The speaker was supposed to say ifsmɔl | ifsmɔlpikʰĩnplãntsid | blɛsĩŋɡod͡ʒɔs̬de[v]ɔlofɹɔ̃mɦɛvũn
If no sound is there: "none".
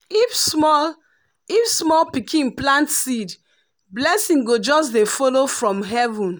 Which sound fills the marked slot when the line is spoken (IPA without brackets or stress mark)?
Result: f